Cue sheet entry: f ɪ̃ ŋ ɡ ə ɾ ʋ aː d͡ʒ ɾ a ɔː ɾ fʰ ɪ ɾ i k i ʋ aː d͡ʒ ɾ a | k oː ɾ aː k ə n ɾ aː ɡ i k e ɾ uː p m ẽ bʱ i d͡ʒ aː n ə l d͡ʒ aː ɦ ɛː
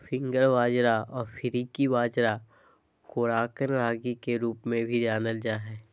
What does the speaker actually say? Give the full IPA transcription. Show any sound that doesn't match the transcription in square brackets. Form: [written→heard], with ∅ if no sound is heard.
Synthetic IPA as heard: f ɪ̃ ŋ ɡ ə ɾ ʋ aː d͡ʒ ɾ a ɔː ɾ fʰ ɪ ɾ i k i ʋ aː d͡ʒ ɾ a | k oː ɾ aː k ə n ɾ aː ɡ i k e ɾ uː p m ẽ bʱ i d͡ʒ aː n ə l d͡ʒ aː ɦ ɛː

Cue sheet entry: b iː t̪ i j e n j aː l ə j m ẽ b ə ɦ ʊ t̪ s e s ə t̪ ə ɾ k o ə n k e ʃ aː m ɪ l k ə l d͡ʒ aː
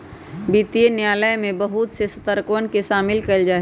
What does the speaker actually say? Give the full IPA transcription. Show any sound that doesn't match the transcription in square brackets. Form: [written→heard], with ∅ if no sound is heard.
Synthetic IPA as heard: b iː t̪ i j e n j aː l ə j m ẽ b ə ɦ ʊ t̪ s e s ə t̪ ə ɾ k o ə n k e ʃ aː m ɪ l k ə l d͡ʒ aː

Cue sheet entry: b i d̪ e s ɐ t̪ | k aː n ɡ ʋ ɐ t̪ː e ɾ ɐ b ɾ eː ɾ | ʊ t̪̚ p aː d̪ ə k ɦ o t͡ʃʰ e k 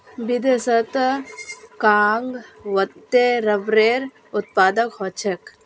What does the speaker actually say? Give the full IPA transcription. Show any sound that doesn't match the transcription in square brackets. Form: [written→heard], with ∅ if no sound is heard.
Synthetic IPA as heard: b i d̪ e s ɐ t̪ | k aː [n→ŋ] ɡ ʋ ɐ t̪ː e ɾ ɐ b ɾ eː ɾ | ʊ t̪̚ p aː d̪ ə k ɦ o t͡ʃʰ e k

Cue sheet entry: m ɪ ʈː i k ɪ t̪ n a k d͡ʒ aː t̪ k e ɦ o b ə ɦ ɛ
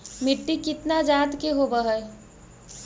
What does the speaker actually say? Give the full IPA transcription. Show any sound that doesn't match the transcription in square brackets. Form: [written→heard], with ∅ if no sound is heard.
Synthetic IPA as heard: m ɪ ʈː i k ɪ t̪ n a [k→∅] d͡ʒ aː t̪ k e ɦ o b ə ɦ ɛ

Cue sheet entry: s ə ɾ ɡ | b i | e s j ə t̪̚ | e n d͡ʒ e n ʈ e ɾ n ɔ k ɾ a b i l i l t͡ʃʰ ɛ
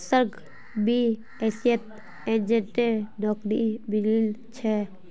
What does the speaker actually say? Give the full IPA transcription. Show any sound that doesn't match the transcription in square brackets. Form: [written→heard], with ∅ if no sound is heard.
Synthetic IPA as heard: s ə ɾ ɡ | b i | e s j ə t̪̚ | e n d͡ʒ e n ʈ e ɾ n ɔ k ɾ [a→i] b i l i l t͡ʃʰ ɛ

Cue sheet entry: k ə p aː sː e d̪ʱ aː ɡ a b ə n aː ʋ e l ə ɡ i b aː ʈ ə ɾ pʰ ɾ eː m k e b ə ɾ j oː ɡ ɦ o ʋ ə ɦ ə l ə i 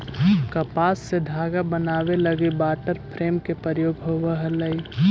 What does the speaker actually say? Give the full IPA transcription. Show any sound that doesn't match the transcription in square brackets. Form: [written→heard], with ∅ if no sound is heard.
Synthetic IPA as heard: k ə p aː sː e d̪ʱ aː ɡ a b ə n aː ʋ e l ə ɡ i b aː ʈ ə ɾ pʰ ɾ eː m k e [b→p] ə ɾ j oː ɡ ɦ o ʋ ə ɦ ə l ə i

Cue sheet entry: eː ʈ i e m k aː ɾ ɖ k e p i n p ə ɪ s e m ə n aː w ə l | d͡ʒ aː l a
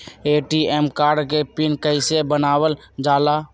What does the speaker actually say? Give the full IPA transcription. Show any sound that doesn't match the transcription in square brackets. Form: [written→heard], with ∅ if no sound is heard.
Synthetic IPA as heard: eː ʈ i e m k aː ɾ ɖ k e p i n [p→k] ə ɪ s e [m→b] ə n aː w ə l | d͡ʒ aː l a

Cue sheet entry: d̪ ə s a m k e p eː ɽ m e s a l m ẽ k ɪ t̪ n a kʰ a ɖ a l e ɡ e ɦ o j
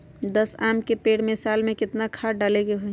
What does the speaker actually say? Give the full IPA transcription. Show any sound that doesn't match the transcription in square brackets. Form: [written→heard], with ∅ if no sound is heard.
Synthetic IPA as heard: d̪ ə s a m k e p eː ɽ m e s a l m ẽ k ɪ t̪ n a kʰ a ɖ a l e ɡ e ɦ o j

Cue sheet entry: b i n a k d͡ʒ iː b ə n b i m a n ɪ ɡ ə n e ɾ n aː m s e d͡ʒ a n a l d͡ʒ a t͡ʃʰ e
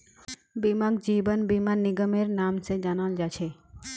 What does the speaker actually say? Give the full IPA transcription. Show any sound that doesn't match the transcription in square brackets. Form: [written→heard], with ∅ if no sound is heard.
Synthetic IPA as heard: b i [n→m] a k d͡ʒ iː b ə n b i m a n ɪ ɡ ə [n→m] e ɾ n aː m s e d͡ʒ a n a l d͡ʒ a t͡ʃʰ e

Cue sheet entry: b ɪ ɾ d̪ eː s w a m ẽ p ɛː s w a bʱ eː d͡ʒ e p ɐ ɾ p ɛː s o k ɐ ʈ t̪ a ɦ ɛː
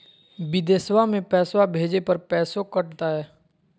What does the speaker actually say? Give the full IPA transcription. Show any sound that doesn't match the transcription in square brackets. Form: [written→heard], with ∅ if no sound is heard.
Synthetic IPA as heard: b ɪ [ɾ→∅] d̪ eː s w a m ẽ p ɛː s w a bʱ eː d͡ʒ e p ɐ ɾ p ɛː s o k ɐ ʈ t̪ a ɦ ɛː

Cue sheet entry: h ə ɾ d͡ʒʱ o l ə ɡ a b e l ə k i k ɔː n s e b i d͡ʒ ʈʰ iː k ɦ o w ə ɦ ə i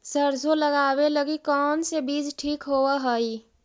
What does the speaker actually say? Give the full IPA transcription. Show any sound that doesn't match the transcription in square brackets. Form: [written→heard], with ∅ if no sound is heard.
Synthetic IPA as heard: [h→s] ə ɾ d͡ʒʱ o l ə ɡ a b e l ə [k→ɡ] i k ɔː n s e b i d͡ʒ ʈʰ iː k ɦ o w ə ɦ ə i

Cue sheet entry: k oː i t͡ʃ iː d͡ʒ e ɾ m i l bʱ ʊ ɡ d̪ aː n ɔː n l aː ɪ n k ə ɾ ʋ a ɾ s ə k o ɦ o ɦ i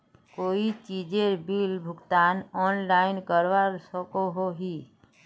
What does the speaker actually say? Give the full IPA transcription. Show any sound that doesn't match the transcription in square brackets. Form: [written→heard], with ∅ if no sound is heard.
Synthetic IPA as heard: k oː i t͡ʃ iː d͡ʒ e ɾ [m→b] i l bʱ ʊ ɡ [d̪→t̪] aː n ɔː n l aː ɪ n k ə ɾ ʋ a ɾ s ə k o ɦ o ɦ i

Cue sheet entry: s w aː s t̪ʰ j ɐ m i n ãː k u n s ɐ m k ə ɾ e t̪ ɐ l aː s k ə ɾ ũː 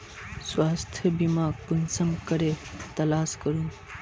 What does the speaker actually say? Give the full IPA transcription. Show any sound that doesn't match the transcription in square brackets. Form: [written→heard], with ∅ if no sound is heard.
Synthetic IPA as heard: s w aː s t̪ʰ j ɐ [m→b] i [n→m] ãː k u n s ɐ m k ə ɾ e t̪ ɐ l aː s k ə ɾ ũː

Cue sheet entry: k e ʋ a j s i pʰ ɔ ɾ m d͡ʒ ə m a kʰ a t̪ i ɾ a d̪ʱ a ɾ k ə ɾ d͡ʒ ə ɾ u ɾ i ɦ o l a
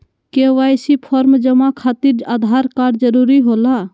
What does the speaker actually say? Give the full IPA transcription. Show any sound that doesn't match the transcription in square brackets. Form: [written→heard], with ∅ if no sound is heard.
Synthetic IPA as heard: k e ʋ a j s i pʰ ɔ ɾ m d͡ʒ ə m a kʰ a t̪ i ɾ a d̪ʱ a ɾ k [ə→a] ɾ d͡ʒ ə ɾ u ɾ i ɦ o l a

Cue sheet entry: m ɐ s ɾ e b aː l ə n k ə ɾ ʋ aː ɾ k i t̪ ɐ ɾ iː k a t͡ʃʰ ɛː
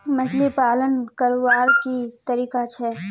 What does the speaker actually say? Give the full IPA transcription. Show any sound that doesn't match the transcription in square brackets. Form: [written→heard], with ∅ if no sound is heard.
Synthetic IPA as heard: m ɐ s [ɾ→l] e [b→p] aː l ə n k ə ɾ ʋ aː ɾ k i t̪ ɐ ɾ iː k a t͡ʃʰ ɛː

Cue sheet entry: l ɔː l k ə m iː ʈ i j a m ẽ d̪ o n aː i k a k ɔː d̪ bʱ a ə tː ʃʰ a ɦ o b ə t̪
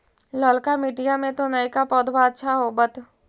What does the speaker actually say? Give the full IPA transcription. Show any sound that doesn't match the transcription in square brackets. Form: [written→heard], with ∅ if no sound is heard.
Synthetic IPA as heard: l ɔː l k [ə→a] m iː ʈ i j a m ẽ [d̪→t̪] o n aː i k a [k→p] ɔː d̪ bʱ a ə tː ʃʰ a ɦ o b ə t̪

